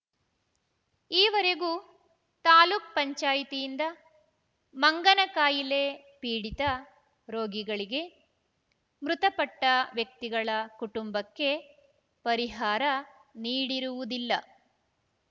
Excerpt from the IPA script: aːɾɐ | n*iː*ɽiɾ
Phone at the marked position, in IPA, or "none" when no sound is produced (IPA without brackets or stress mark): iː